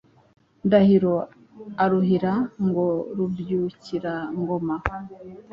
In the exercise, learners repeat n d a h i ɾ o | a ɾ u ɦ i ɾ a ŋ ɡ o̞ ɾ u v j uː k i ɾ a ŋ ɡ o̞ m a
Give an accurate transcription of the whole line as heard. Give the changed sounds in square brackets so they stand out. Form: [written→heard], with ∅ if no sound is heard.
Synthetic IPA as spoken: n d a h i ɾ o | a ɾ u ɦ i ɾ a ŋ ɡ o̞ ɾ u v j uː [k→c] i ɾ a ŋ ɡ o̞ m a